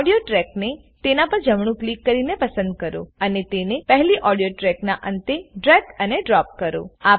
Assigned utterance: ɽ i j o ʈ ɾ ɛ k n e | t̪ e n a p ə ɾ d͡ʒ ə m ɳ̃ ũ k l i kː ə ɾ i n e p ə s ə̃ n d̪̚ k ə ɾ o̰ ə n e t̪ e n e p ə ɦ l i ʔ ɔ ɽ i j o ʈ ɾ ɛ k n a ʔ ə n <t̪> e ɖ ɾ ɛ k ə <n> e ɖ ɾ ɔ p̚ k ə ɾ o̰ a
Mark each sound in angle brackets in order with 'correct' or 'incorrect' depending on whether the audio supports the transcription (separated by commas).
correct, correct